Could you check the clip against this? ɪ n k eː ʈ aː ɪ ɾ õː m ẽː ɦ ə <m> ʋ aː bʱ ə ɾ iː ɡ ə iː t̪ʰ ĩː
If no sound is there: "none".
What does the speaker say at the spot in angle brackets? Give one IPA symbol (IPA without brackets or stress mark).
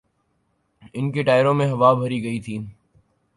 none